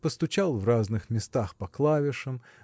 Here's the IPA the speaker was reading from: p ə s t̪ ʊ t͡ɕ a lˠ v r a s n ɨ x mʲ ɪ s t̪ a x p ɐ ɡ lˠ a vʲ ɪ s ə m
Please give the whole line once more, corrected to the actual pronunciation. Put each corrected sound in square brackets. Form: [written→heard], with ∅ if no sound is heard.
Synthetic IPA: p ə s t̪ ʊ t͡ɕ a lˠ v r a [s→z] n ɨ x mʲ ɪ s t̪ a x p ɐ [ɡ→k] lˠ a vʲ ɪ [s→ʂ] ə m